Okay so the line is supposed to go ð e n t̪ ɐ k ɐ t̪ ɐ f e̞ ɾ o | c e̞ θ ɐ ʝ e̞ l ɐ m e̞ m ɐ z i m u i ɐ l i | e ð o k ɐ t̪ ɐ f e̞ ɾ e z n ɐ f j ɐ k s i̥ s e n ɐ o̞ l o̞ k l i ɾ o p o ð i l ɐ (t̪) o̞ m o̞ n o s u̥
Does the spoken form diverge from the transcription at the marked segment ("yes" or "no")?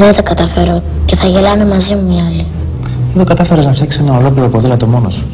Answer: no